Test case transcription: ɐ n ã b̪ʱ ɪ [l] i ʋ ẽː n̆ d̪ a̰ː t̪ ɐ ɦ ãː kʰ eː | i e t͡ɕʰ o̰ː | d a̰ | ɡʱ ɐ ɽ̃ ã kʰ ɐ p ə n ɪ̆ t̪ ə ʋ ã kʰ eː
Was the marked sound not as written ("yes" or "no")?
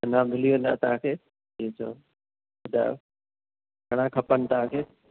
no